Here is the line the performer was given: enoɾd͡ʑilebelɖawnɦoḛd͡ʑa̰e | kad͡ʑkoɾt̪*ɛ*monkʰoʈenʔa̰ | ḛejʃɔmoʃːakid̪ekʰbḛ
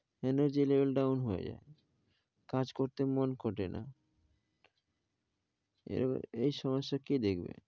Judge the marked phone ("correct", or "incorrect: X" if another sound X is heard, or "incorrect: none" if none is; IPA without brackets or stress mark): incorrect: e